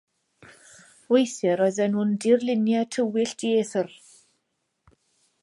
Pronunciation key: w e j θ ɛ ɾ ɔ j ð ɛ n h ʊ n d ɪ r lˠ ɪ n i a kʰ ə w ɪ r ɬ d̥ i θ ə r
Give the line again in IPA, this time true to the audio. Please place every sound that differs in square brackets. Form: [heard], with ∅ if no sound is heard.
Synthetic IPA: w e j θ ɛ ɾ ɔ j ð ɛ n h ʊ n d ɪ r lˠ ɪ n [j] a [tʰ] ə w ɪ [∅] ɬ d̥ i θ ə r